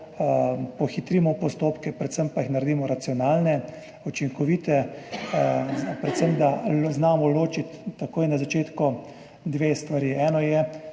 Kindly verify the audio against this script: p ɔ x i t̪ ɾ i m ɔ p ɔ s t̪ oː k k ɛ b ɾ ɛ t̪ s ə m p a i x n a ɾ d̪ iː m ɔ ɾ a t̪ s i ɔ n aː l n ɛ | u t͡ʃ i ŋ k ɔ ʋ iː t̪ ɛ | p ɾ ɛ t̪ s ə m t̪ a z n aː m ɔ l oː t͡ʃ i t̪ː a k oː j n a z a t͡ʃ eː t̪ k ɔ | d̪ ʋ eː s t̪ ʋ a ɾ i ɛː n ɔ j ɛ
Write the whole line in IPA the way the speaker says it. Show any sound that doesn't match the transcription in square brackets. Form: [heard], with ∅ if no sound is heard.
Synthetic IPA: p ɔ x i t̪ ɾ i m ɔ p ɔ s t̪ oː [p] k ɛ [p] ɾ ɛ t̪ s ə m p a i x n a ɾ d̪ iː m ɔ ɾ a t̪ s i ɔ n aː l n ɛ | u t͡ʃ i ŋ k ɔ ʋ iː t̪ ɛ | p ɾ ɛ t̪ s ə m [d̪] a z n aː m ɔ l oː t͡ʃ i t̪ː a k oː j n a z a t͡ʃ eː t̪ k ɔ | d̪ ʋ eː s t̪ ʋ a ɾ i ɛː n ɔ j ɛ